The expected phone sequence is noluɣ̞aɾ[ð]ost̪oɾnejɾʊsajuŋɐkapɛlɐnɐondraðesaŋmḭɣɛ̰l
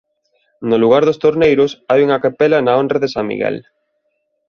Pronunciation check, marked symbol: correct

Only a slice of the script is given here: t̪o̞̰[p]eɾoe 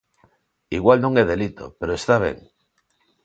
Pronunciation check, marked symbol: correct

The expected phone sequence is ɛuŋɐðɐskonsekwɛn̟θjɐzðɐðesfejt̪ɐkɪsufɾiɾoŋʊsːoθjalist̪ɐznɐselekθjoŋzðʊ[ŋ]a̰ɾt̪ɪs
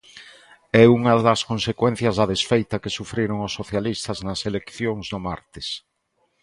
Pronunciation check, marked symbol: incorrect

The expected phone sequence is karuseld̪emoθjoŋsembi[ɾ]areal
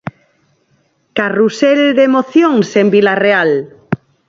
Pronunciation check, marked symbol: incorrect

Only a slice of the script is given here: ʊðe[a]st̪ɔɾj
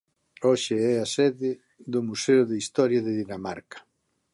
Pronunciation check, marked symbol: incorrect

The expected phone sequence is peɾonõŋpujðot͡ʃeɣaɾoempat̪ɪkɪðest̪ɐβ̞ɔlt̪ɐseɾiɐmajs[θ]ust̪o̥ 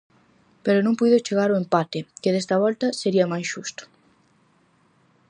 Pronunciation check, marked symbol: incorrect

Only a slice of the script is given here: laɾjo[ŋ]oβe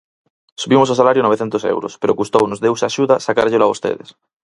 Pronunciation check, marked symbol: incorrect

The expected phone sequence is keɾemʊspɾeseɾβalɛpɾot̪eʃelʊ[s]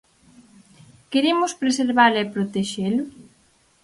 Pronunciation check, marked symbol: incorrect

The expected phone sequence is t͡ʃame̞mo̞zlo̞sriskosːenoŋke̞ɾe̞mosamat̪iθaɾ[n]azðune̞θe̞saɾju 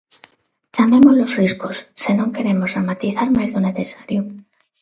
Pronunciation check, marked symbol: incorrect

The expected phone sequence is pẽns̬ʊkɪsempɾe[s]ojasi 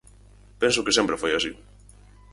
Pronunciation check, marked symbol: incorrect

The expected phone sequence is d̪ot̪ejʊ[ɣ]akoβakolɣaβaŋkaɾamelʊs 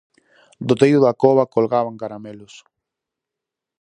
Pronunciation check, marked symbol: incorrect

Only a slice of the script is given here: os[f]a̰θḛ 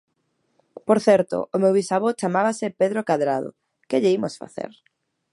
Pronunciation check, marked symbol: correct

